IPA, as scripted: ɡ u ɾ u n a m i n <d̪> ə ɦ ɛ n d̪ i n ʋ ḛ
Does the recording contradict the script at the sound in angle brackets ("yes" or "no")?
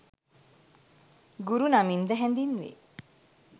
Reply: no